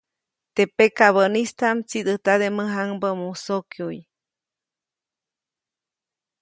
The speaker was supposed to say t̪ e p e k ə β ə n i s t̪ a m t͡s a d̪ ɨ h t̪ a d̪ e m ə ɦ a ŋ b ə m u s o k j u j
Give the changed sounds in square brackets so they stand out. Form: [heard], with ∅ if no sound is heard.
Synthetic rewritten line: t̪ e p e k [a] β ə n i s t̪ a m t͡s [i] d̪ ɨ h t̪ a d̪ e m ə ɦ a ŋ b ə m u s o k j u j

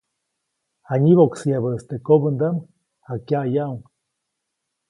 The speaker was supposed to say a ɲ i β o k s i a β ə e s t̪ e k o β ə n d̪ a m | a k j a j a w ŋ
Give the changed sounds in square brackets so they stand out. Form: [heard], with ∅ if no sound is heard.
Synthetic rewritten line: a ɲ i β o k s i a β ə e s t̪ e k o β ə n d̪ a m | a k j a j a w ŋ

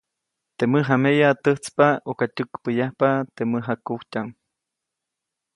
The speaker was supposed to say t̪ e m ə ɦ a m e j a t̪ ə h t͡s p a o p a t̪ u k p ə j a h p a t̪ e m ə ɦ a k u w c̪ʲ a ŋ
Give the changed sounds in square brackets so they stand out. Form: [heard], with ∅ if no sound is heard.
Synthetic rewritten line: t̪ e m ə ɦ a m e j a t̪ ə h t͡s p a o [k] a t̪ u k p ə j a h p a t̪ e m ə ɦ a k u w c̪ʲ a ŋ

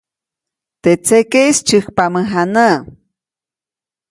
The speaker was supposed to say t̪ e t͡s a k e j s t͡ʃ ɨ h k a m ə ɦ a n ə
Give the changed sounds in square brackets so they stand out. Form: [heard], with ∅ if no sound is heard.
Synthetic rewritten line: t̪ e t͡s [e] k e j s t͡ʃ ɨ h [p] a m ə ɦ a n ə

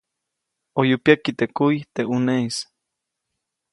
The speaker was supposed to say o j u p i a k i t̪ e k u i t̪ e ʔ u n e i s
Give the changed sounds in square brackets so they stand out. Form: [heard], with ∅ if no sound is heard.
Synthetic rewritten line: o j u p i a k i t̪ e k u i t̪ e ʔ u n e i s

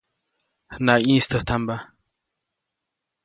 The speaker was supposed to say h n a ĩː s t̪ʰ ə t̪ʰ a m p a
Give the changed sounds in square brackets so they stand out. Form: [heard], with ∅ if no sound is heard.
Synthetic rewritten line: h n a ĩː s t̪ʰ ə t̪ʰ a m [b] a

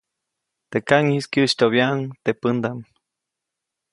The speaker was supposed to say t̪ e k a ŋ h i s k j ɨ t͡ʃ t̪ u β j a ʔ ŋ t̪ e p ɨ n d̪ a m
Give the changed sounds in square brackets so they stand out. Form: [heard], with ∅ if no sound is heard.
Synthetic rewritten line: t̪ e k a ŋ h i s k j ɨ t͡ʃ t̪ [o] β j a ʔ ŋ t̪ e p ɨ n d̪ a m

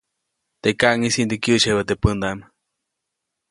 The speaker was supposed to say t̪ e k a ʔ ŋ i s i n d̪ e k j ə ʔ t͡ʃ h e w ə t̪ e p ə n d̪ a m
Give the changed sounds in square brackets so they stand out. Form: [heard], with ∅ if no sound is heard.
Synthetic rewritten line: t̪ e k a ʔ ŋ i s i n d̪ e k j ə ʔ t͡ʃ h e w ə t̪ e p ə n d̪ a m

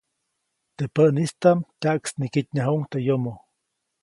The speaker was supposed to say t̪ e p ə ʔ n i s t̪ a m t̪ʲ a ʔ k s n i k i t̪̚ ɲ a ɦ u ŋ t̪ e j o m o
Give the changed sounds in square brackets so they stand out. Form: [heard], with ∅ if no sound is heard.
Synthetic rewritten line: t̪ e p ə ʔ n i s t̪ a m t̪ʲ a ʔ k s n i k i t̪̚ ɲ a ɦ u ŋ t̪ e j o m o

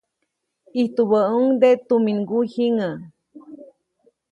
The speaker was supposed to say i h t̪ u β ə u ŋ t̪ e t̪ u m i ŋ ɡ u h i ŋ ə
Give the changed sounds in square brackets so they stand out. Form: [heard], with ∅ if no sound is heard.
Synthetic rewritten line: i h t̪ u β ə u ŋ [d̪] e t̪ u m i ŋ ɡ u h i ŋ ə

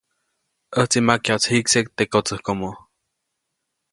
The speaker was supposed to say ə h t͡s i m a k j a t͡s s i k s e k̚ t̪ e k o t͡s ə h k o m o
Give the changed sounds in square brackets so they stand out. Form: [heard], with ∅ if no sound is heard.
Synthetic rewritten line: ə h t͡s i m a k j a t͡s [h] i k s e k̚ t̪ e k o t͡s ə h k o m o

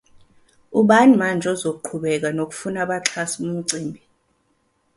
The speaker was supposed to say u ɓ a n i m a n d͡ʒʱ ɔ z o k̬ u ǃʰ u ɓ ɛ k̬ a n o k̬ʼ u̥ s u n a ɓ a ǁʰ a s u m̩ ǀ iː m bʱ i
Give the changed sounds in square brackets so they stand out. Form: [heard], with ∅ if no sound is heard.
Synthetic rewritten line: u ɓ a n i m a n d͡ʒʱ ɔ z o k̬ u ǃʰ u ɓ ɛ k̬ a n o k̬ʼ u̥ [f] u n a ɓ a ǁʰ a s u m̩ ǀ iː m bʱ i

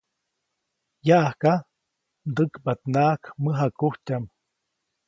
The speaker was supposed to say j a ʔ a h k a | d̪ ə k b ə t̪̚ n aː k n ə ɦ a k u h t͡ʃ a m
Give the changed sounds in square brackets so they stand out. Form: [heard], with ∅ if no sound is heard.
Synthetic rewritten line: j a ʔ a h k a | d̪ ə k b [a] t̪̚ n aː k [m] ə ɦ a k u h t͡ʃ a m

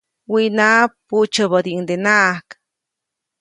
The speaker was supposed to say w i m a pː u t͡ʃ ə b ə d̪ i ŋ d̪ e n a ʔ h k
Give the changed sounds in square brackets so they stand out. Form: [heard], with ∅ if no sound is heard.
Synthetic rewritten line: w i [n] a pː u t͡ʃ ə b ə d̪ i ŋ d̪ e n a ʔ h k

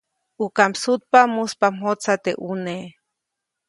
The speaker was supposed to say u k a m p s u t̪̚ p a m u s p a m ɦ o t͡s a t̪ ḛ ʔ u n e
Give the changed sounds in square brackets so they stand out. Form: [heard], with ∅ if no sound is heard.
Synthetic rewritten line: u k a m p s u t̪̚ p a m u s p a m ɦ o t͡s a t̪ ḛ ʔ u n e

